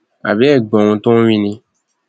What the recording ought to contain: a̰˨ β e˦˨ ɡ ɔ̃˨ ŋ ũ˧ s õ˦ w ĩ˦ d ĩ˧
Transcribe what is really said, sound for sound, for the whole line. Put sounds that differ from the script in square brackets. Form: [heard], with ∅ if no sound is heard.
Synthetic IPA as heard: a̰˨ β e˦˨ [ɡ͡b] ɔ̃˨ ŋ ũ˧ [t] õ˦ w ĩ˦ [n] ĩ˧